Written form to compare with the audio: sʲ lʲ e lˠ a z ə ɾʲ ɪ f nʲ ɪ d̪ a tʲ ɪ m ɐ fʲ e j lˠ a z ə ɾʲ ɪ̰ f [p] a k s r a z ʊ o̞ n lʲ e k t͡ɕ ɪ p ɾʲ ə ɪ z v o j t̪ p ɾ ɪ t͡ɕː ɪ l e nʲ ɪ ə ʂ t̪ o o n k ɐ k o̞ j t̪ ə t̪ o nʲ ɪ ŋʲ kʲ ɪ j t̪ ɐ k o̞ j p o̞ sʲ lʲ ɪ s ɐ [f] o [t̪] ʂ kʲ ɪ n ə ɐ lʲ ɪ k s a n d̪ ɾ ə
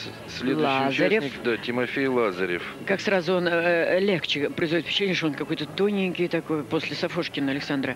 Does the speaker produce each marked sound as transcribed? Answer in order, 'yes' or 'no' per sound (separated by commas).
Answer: no, yes, no